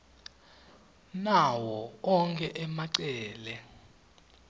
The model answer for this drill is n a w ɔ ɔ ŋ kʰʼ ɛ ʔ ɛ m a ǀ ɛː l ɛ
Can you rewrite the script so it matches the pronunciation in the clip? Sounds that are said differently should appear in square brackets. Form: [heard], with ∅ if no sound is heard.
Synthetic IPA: n a w ɔ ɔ ŋ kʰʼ ɛ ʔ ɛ m a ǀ ɛː l ɛ